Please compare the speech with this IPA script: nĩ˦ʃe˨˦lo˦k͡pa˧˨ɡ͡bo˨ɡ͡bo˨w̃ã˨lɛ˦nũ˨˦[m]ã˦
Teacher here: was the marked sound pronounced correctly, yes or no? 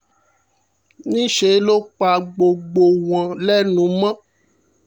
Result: yes